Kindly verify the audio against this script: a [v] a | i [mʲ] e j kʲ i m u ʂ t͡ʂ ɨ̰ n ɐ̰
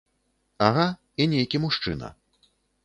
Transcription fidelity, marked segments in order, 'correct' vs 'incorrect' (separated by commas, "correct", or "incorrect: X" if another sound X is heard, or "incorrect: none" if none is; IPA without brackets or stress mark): incorrect: ɣ, incorrect: nʲ